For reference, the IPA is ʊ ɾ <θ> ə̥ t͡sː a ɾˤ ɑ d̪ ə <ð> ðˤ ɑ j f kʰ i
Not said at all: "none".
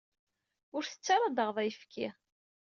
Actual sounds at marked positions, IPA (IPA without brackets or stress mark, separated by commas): θ, ʁ